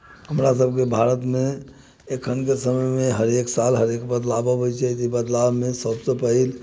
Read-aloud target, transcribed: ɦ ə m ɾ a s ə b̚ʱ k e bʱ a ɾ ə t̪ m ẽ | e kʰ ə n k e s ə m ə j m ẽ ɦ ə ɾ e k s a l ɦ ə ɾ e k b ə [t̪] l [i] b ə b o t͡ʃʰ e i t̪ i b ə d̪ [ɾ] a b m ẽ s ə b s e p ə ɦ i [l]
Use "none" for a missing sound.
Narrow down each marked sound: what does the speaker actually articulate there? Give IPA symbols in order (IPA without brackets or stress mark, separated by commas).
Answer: d̪, a, l, l